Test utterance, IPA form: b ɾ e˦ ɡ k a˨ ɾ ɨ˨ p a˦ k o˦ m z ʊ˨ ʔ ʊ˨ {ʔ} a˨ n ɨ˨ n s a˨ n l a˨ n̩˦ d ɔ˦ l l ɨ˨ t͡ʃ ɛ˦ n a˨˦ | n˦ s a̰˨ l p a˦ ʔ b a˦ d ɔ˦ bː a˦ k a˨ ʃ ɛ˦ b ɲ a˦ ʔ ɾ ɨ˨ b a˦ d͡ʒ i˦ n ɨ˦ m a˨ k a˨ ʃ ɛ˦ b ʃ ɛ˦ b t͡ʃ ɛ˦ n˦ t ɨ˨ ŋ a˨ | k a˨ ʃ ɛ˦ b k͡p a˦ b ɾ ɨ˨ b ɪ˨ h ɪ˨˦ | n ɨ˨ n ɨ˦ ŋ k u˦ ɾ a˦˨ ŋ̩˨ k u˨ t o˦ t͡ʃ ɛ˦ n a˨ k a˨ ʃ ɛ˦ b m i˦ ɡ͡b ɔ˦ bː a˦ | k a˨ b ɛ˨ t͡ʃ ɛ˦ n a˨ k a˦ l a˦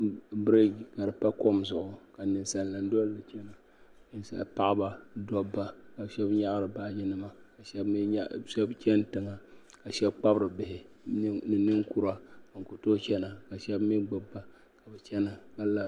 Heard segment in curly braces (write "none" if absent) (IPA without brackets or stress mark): k